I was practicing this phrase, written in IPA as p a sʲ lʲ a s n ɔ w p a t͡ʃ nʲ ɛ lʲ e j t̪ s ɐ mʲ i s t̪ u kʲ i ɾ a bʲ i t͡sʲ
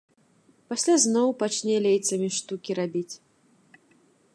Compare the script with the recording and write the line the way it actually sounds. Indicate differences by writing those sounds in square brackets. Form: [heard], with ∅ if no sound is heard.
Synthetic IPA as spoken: p a sʲ lʲ a [z] n ɔ w p a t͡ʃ nʲ ɛ lʲ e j t̪ s ɐ mʲ i [ʂ] t̪ u kʲ i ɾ a bʲ i t͡sʲ